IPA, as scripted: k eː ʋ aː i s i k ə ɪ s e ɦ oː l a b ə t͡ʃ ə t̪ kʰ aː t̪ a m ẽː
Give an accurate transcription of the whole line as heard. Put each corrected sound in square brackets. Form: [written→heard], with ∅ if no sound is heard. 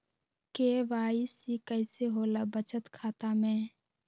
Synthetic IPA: k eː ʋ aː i s i k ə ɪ s e ɦ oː l a b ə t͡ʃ ə t̪ kʰ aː t̪ a m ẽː